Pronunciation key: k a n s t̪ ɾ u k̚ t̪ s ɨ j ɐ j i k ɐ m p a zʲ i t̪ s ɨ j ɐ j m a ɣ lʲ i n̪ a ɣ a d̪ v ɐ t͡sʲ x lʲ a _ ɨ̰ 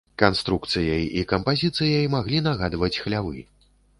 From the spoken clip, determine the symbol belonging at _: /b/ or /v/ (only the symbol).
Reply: v